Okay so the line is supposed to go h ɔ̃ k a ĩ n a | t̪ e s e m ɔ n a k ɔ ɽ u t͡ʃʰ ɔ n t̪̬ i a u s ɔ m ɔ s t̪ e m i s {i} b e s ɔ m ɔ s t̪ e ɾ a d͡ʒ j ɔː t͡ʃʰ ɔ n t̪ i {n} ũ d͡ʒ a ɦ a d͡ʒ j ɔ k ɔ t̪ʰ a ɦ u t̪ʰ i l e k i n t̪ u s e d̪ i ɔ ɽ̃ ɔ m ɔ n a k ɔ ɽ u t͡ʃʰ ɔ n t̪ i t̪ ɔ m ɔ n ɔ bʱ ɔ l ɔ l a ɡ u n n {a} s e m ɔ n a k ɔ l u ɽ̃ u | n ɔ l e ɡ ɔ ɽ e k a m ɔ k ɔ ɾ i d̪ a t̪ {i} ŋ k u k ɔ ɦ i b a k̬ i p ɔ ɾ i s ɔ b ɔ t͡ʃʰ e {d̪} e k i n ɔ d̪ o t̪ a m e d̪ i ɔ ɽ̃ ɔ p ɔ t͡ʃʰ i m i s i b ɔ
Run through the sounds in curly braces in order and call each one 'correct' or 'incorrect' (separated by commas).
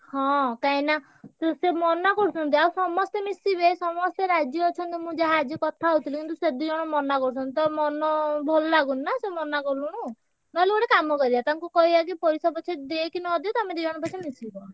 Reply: correct, incorrect, correct, incorrect, correct